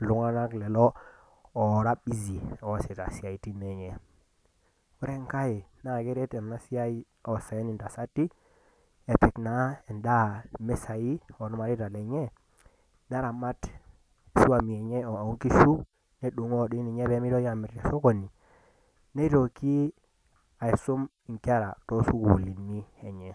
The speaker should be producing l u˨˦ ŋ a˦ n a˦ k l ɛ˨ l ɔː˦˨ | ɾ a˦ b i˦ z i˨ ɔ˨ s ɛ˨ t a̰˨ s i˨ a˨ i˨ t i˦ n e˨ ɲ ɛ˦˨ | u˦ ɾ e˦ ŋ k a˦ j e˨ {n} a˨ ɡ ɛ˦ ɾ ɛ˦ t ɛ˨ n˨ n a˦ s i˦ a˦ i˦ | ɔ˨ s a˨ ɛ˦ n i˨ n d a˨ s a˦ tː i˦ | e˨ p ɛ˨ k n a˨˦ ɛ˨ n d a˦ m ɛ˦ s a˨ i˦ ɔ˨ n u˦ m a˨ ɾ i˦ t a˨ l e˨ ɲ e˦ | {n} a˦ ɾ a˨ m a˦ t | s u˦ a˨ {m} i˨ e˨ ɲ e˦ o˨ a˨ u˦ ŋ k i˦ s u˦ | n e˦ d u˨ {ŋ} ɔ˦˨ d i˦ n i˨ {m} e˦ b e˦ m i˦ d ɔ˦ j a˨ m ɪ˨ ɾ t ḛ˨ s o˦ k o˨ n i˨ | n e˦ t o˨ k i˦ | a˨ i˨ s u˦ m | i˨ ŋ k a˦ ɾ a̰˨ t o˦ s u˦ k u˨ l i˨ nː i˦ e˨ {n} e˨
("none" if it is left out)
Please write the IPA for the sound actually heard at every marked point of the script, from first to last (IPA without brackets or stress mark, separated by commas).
n, n, m, ŋ, ɲ, ɲ